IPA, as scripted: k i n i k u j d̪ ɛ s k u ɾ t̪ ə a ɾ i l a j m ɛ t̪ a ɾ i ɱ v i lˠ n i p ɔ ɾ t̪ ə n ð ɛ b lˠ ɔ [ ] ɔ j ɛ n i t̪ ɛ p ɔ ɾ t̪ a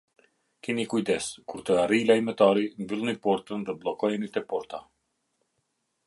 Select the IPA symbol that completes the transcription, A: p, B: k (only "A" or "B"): B